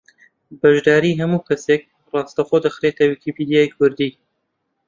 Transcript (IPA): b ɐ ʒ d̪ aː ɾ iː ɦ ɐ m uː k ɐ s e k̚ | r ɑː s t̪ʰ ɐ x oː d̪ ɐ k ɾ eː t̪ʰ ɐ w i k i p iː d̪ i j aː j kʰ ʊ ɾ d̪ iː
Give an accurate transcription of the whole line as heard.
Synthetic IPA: b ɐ ʒ d̪ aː ɾ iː ɦ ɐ m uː k ɐ s e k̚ | r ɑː s t̪ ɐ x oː d̪ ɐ x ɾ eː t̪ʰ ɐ w i k i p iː d̪ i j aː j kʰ ʊ ɾ d̪ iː